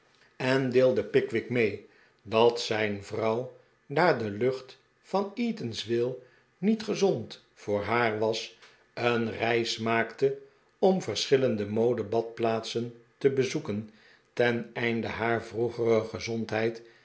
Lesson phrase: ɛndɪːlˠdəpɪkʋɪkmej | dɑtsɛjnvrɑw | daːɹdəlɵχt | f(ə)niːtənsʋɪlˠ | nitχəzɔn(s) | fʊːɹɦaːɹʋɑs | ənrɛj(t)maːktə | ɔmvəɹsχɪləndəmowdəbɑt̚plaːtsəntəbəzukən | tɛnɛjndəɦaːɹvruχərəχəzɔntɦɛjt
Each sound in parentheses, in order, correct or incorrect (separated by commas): incorrect, incorrect, incorrect